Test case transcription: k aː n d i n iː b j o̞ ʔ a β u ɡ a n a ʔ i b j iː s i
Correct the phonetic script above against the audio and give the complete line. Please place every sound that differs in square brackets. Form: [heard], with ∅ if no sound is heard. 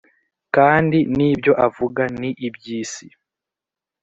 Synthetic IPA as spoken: k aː n d i n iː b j o̞ ʔ a [v] u ɡ a n [i] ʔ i b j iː s i